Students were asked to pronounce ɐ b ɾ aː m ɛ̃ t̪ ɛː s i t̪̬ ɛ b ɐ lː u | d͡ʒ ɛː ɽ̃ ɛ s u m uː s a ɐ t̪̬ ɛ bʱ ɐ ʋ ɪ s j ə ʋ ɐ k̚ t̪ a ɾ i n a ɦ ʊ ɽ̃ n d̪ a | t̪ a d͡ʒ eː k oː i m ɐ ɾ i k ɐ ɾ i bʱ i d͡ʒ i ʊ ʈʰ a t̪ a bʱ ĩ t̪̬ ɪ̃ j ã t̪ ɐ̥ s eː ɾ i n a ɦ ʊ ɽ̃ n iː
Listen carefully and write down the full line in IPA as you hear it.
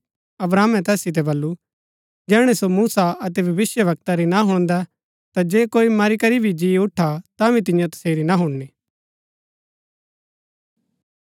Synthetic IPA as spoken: ɐ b ɾ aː m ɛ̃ t̪ ɛː s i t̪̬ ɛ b ɐ lː u | d͡ʒ ɛː ɽ̃ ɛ s o m uː s a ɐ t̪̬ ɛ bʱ ɐ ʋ ɪ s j ə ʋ ɐ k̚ t̪ a ɾ i n a ɦ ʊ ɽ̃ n d̪ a | t̪ a d͡ʒ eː k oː i m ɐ ɾ i k ɐ ɾ i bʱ i d͡ʒ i ʊ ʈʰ a t̪ a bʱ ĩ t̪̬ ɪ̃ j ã t̪ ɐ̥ s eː ɾ i n a ɦ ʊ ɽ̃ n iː

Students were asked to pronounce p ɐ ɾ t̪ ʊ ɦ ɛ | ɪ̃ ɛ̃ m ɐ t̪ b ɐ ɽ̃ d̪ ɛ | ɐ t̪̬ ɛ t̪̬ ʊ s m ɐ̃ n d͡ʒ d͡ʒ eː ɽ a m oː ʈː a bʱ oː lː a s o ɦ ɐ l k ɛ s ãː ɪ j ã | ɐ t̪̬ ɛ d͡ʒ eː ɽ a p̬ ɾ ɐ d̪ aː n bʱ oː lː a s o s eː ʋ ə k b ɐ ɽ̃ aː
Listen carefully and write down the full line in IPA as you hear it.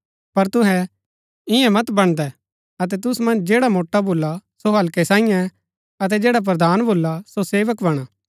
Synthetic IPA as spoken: p ɐ ɾ t̪ ʊ ɦ ɛ | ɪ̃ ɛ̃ m ɐ t̪ b ɐ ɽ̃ d̪ ɛ | ɐ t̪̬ ɛ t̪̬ ʊ s m ɐ̃ n d͡ʒ d͡ʒ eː ɽ a m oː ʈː a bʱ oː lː a s o ɦ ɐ l k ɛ s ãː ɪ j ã | ɐ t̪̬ ɛ d͡ʒ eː ɽ a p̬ ɾ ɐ d̪ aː n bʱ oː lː a s o s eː ʋ ə k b ɐ ɽ̃ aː

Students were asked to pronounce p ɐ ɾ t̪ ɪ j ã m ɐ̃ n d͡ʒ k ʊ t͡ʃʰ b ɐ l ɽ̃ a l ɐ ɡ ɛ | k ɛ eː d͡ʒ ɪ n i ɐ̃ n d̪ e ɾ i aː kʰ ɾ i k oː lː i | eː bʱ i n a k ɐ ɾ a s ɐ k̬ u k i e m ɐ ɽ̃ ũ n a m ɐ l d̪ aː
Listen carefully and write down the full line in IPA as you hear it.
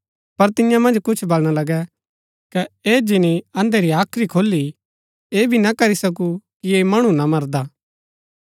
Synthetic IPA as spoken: p ɐ ɾ t̪ ɪ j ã m ɐ̃ n d͡ʒ k ʊ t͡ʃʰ b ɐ l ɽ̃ a l ɐ ɡ ɛ | k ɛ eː d͡ʒ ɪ n i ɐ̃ n d̪ e ɾ i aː kʰ ɾ i kʰ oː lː i | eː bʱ i n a k ɐ ɾ i s ɐ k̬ u k i e m ɐ ɽ̃ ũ n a m ɐ ɾ d̪ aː

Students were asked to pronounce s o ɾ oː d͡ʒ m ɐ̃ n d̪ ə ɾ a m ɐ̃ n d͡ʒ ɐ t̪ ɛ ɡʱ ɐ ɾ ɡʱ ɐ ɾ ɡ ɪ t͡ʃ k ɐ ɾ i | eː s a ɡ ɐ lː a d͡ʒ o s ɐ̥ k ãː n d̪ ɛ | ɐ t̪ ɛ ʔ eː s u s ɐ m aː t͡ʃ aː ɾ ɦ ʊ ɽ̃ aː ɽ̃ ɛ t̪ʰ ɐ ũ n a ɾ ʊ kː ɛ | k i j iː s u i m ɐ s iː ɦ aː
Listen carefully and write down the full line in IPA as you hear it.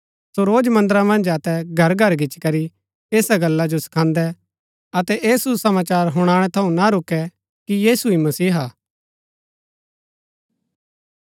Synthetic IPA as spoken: s o ɾ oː d͡ʒ m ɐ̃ n d̪ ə ɾ a m ɐ̃ n d͡ʒ ɐ t̪ ɛ ɡʱ ɐ ɾ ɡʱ ɐ ɾ ɡ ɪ t͡ʃ k ɐ ɾ i | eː s a ɡ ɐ lː a d͡ʒ o s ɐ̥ kʰ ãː n d̪ ɛ | ɐ t̪ ɛ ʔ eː s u s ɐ m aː t͡ʃ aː ɾ ɦ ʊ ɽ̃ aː ɽ̃ ɛ t̪ʰ ɐ ũ n a ɾ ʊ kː ɛ | k i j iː s u i m ɐ s iː ɦ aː

